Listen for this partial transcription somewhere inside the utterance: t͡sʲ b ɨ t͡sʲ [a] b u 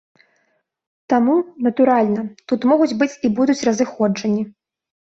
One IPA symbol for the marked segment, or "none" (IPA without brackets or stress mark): i